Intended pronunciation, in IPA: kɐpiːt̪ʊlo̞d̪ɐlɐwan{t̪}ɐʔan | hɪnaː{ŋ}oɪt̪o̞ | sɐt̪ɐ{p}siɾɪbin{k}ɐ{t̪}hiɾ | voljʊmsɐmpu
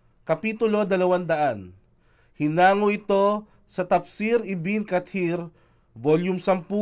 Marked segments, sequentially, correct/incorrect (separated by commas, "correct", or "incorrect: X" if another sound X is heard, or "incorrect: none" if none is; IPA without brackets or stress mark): incorrect: d̪, correct, correct, correct, correct